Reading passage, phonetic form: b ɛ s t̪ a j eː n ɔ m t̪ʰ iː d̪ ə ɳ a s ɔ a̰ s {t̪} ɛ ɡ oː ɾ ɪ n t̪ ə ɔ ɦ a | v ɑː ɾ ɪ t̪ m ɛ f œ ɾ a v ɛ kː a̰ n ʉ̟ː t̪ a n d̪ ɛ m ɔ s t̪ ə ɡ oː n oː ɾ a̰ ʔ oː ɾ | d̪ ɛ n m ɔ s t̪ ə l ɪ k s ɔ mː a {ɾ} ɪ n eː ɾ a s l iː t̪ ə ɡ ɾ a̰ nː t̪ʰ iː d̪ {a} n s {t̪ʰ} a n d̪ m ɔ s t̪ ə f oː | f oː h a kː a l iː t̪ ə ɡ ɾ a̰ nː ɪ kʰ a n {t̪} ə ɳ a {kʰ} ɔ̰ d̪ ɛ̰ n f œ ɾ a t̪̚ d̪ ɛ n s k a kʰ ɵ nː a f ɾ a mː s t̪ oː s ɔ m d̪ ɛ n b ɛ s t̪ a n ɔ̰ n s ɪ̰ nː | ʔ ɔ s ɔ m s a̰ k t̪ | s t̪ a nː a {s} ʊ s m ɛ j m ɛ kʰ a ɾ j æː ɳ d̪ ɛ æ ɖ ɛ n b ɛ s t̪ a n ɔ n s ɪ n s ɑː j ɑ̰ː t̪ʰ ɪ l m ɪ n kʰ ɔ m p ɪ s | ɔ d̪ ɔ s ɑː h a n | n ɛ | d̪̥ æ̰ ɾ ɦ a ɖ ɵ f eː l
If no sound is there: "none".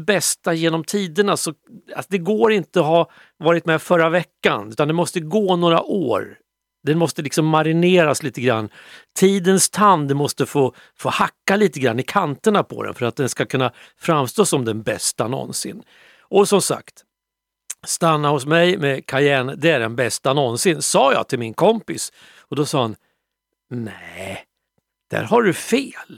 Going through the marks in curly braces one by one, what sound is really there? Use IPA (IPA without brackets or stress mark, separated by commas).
d̪, ɾ, ə, t̪ʰ, t̪, pʰ, h